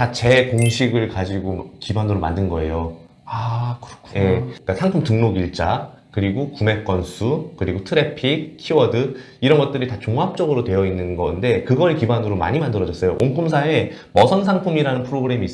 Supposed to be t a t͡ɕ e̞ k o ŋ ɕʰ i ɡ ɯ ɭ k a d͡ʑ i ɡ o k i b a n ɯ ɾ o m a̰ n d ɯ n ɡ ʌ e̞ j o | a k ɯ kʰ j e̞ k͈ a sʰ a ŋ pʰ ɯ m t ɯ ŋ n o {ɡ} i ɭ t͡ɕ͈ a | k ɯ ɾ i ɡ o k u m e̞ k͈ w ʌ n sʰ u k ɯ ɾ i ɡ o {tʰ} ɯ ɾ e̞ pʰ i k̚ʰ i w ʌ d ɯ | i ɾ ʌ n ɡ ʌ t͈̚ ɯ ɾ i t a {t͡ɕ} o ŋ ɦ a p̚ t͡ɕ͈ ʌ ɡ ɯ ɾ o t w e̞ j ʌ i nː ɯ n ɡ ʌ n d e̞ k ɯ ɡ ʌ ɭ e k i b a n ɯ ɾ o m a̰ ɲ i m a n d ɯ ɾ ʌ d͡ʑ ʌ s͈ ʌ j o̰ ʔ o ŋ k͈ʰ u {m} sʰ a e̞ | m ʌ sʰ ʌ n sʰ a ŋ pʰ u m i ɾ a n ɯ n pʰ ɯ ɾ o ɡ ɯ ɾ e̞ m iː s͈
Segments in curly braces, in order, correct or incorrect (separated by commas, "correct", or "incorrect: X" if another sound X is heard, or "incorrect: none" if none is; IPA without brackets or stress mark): correct, correct, correct, correct